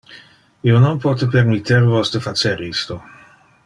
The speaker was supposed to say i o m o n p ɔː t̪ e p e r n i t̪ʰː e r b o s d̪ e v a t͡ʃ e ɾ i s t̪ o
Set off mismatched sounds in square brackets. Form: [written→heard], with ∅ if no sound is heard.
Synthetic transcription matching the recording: i o [m→n] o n p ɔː t̪ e p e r [n→m] i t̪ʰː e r [b→v] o s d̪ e [v→f] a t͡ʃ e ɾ i s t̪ o